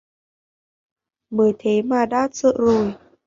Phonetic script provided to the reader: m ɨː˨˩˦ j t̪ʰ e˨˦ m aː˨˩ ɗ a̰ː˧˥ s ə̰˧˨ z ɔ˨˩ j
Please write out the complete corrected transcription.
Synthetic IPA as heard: m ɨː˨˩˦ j t̪ʰ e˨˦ m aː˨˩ ɗ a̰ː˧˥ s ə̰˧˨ z o˨˩ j

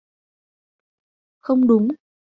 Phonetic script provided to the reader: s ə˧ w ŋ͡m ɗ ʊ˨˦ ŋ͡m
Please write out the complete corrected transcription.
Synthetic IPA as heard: x ə˧ w ŋ͡m ɗ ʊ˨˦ ŋ͡m

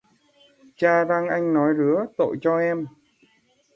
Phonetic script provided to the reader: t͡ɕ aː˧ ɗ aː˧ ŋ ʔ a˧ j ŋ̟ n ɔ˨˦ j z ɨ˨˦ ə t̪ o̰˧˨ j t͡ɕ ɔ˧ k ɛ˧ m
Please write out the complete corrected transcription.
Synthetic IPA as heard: t͡ɕ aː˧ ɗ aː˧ ŋ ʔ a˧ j ŋ̟ n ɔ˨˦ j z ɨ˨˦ ə t̪ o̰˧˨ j t͡ɕ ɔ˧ ʔ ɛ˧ m

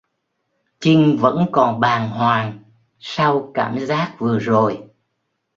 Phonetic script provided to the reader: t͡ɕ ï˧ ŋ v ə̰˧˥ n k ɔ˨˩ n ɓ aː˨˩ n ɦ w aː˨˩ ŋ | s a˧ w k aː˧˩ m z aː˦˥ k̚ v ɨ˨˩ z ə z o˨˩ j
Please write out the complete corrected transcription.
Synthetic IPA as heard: t͡ɕ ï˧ ŋ v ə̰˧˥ n k ɔ˨˩ n ɓ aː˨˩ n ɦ w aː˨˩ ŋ | s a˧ w k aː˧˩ m z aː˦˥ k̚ v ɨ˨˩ ə z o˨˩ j

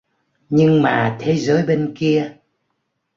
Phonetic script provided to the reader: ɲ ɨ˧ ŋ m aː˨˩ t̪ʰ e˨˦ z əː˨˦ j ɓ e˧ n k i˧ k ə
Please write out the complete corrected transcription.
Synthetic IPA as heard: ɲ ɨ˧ ŋ m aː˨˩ t̪ʰ e˨˦ z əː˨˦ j ɓ e˧ n k i˧ ə

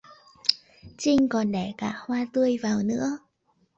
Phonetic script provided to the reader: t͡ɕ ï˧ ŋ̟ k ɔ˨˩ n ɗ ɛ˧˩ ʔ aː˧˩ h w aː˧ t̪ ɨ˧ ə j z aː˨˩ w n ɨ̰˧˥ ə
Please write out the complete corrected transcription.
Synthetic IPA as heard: t͡ɕ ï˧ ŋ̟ k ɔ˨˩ n ɗ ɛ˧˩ k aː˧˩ h w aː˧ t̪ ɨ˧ ə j v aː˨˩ w n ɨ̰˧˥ ə

